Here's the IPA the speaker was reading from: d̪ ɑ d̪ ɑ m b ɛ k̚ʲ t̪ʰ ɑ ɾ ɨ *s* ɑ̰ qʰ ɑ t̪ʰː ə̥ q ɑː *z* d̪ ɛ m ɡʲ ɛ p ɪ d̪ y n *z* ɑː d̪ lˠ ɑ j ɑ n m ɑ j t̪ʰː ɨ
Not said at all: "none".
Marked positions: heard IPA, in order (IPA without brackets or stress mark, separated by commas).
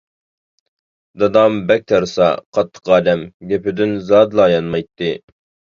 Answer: s, none, z